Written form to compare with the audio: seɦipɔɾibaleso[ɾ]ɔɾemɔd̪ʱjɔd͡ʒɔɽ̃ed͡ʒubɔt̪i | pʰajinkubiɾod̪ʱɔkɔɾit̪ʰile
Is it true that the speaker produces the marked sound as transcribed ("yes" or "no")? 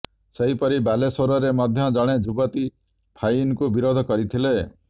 yes